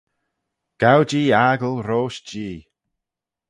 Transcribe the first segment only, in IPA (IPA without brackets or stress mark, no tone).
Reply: ɡ̥